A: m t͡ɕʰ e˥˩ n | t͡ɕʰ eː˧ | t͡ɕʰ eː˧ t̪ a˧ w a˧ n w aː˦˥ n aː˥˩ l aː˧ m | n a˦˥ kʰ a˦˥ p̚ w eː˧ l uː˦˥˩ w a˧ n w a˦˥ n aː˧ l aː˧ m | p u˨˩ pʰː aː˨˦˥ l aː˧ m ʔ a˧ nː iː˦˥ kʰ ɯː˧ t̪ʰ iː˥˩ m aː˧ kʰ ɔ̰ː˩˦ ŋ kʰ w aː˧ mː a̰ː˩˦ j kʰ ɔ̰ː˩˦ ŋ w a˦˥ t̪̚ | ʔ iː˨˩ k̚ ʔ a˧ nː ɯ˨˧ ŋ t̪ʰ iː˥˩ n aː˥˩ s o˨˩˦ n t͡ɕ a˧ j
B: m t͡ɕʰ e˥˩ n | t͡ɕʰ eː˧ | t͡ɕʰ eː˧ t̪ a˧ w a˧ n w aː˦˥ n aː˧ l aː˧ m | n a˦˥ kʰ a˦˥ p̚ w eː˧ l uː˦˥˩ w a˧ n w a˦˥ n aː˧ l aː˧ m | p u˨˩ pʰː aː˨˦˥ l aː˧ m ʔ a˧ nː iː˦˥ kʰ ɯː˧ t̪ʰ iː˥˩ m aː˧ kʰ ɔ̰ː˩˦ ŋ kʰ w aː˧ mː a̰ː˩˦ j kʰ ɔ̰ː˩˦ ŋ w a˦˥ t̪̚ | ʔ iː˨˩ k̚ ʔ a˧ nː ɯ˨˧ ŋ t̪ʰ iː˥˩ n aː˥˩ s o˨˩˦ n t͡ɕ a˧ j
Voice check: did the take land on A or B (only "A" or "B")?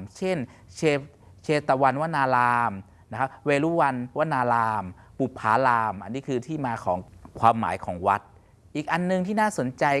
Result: B